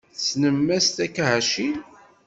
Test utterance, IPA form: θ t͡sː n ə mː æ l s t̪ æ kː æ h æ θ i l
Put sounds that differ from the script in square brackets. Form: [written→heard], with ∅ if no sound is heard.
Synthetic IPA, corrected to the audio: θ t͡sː n ə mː æ [l→∅] s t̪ æ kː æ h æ [θ→ʃ] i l